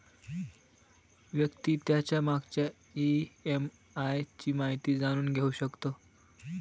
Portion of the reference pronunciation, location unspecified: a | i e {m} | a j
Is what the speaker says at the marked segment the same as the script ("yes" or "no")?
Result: yes